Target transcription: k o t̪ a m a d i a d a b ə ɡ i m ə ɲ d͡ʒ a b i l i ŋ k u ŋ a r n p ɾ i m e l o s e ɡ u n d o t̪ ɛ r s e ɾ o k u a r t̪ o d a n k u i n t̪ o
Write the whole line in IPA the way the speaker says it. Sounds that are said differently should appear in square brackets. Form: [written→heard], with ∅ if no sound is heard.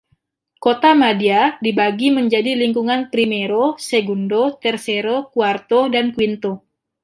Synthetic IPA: k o t̪ a m a d i a d [a→i] b [ə→a] ɡ i m ə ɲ d͡ʒ a [b→d] i l i ŋ k u ŋ a [r→∅] n p ɾ i m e [l→ɾ] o s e ɡ u n d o t̪ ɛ r s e ɾ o k u a r t̪ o d a n k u i n t̪ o